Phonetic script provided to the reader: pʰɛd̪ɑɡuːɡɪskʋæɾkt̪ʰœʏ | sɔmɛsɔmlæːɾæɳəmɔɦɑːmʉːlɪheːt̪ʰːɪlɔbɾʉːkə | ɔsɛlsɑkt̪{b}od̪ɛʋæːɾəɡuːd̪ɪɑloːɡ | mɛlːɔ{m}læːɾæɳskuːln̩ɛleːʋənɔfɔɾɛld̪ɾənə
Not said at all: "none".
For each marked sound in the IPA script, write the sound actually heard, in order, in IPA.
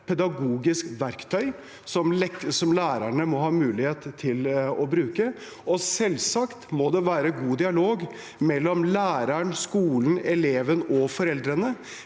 m, m

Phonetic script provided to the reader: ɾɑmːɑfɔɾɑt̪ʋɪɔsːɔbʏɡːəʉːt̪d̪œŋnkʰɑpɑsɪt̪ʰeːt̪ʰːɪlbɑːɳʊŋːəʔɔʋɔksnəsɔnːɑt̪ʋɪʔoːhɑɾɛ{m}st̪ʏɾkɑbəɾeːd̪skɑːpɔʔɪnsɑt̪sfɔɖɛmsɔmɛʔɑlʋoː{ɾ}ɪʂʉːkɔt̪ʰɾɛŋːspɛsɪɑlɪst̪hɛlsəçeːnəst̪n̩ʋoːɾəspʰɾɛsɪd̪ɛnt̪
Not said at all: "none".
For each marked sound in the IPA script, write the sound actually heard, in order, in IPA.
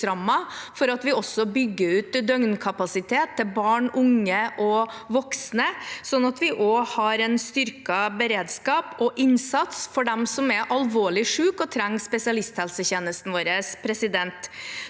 n, ɭ

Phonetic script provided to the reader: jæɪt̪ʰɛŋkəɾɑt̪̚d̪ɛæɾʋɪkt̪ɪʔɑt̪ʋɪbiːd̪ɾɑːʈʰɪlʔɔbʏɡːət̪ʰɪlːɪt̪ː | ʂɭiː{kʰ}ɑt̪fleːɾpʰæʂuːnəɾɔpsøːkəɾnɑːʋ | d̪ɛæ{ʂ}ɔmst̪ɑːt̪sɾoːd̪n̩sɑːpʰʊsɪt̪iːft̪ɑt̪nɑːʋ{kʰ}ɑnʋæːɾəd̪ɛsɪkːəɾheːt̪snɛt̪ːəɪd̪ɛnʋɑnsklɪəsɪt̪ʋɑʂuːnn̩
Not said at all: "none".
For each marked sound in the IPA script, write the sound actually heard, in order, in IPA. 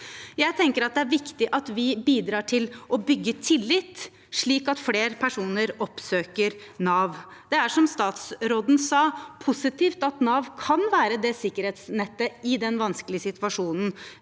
k, ʂ, kʰ

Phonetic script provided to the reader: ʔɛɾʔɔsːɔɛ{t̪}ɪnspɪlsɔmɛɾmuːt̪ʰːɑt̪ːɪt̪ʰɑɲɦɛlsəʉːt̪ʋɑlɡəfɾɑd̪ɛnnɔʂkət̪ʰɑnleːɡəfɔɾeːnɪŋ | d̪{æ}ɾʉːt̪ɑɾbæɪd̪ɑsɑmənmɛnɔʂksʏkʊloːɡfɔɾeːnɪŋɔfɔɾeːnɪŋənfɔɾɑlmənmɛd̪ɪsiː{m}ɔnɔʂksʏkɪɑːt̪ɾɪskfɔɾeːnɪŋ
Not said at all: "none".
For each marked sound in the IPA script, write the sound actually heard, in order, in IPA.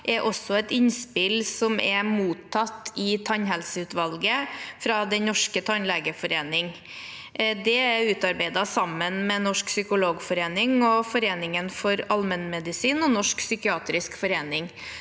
t̪, ɛ, n

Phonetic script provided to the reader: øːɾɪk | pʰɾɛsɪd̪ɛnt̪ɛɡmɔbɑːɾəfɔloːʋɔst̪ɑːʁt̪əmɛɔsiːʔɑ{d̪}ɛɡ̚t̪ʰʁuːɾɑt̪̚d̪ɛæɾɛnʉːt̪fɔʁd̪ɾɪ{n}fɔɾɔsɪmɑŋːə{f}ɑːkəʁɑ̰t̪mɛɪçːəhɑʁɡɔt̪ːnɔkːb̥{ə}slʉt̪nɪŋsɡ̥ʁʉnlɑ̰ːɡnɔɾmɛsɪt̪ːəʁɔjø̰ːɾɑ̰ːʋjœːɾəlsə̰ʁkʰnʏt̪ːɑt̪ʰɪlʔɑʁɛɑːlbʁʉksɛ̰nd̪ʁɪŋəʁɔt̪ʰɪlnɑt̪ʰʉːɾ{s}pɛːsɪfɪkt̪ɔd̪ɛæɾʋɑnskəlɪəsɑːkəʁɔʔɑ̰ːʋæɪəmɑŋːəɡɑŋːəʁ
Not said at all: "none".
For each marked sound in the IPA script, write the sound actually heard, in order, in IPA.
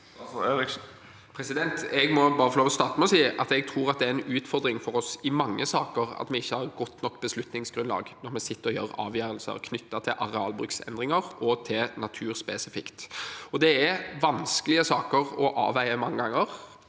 t̪, ŋ, s, ə, s

